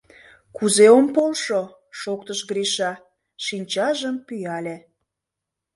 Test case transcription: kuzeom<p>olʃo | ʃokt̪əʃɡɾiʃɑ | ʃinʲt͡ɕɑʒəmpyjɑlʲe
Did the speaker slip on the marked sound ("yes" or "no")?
no